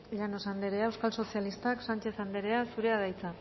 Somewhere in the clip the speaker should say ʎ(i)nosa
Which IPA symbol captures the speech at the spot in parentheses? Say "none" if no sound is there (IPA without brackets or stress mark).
a